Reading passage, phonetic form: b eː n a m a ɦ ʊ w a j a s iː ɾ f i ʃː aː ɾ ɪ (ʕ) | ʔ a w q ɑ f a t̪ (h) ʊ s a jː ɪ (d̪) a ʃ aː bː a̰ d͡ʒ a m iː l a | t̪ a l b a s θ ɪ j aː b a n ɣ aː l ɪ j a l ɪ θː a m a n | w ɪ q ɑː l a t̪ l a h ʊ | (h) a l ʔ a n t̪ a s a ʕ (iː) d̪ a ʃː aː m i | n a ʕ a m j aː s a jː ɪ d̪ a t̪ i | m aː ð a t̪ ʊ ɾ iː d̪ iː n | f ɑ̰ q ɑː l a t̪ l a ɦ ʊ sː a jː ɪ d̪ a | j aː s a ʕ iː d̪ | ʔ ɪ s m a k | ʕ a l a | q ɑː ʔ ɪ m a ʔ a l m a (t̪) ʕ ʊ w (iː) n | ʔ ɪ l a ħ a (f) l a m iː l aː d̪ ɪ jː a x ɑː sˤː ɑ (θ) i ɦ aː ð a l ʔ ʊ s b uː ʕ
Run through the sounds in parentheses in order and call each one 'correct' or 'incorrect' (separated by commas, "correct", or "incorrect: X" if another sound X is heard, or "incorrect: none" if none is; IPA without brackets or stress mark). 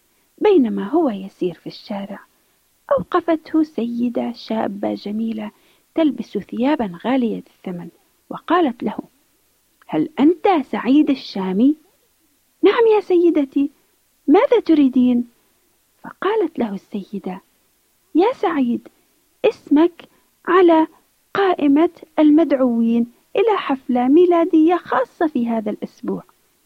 correct, correct, correct, correct, correct, incorrect: d̪, correct, correct, incorrect: f